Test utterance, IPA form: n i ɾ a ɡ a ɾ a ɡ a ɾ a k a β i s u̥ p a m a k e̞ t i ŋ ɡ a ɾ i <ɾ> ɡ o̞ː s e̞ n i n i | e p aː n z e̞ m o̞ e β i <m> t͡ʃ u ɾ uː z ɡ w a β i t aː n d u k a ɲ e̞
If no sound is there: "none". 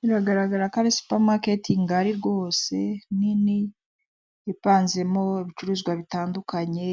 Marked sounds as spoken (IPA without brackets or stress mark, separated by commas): ɾ, none